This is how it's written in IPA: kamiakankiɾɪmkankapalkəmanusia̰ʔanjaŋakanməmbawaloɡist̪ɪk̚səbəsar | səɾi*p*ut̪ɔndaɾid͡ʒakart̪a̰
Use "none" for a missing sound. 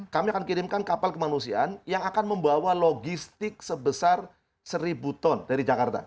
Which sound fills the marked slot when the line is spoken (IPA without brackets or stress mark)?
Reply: b